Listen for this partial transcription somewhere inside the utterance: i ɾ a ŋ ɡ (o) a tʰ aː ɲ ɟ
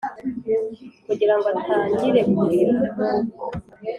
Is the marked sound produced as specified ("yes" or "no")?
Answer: yes